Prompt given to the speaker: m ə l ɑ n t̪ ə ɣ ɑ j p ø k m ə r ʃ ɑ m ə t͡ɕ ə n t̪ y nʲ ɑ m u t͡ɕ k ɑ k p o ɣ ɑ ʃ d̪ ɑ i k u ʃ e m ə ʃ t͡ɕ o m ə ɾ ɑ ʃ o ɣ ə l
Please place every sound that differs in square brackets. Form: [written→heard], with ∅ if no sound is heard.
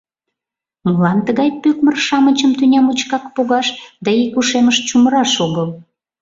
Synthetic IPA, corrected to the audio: m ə l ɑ n t̪ ə ɣ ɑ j p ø k m ə r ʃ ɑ m ə t͡ɕ ə [n→m] t̪ y nʲ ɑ m u t͡ɕ k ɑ k p o ɣ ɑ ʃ d̪ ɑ i k u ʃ e m ə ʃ t͡ɕ [o→u] m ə ɾ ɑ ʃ o ɣ ə l